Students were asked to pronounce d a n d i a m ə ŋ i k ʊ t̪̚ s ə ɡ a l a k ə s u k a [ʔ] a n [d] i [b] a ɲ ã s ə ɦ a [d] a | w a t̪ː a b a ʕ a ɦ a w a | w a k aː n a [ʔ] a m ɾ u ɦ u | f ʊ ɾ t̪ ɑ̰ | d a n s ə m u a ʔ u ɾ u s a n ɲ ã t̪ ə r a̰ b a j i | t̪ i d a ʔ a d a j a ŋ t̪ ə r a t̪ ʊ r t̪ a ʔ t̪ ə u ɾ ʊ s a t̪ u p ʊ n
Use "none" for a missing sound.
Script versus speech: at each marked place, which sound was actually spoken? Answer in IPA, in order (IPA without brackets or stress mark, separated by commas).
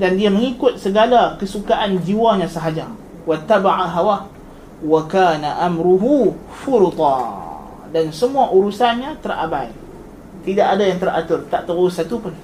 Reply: ʔ, d͡ʒ, w, d͡ʒ, ʔ